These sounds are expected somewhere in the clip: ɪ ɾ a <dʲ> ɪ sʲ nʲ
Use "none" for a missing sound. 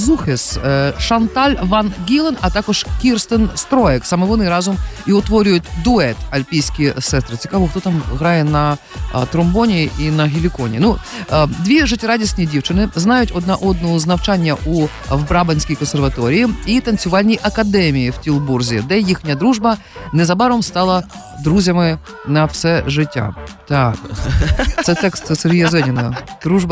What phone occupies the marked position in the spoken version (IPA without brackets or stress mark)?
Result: dʲ